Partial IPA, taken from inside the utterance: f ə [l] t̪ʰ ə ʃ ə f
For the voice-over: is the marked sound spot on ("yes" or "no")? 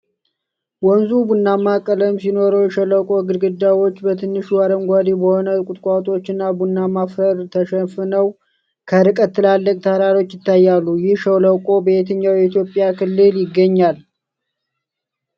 no